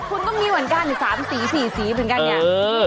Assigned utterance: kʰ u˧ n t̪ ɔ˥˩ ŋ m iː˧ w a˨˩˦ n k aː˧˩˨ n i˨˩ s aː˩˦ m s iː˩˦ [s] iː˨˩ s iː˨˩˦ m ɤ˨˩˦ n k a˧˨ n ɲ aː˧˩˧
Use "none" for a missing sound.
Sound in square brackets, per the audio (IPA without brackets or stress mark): s